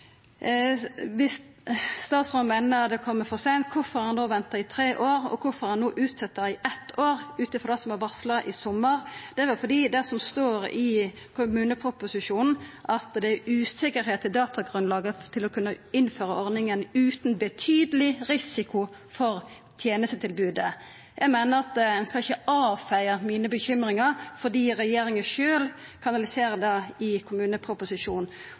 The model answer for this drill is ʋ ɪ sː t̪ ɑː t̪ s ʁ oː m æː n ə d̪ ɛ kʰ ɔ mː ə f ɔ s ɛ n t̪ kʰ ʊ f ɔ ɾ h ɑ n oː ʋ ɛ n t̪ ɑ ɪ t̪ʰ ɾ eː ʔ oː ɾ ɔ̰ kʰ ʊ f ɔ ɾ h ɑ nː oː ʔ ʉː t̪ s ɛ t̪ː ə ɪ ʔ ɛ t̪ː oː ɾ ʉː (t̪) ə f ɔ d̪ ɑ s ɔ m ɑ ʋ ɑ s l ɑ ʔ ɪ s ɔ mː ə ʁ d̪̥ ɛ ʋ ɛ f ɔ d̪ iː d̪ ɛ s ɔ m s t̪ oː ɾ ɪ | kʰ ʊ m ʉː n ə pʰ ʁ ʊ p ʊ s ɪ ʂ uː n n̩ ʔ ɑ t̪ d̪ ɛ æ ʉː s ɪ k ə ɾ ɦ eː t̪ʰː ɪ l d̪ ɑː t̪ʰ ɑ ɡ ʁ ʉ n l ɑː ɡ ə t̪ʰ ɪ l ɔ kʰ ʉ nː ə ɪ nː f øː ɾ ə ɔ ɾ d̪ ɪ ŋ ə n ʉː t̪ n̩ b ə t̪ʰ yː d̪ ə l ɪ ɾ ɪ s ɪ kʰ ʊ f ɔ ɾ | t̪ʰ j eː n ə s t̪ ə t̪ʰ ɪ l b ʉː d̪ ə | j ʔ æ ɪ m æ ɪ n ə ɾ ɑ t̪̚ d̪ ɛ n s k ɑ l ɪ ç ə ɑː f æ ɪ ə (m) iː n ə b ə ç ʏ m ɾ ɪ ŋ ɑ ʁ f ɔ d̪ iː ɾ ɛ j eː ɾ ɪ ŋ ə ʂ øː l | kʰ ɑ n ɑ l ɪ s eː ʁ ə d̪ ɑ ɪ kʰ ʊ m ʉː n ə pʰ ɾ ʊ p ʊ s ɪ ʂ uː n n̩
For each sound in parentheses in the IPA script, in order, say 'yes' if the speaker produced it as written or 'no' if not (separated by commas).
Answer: yes, yes